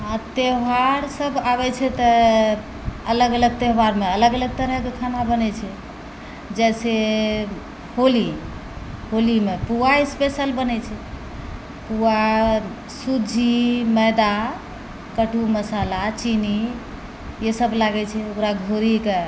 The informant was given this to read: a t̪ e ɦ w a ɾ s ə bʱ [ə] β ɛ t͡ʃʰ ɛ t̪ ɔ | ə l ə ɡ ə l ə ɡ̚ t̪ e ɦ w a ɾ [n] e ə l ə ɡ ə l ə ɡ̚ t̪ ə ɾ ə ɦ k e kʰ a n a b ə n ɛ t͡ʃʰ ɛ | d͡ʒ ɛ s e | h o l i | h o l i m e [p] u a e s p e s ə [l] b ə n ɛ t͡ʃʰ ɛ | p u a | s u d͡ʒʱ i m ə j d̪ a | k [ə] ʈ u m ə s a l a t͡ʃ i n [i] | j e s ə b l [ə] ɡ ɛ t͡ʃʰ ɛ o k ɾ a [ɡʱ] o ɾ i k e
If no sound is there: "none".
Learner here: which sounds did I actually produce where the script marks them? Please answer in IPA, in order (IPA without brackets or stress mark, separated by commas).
a, m, p, l, ə, i, a, ɡʱ